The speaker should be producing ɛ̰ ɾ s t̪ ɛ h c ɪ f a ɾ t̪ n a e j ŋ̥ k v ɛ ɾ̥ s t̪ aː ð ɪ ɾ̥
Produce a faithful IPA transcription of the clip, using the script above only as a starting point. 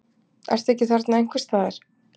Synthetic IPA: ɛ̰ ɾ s t̪ ɛ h c ɪ θ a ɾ t̪ n a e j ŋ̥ k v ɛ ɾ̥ s t̪ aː ð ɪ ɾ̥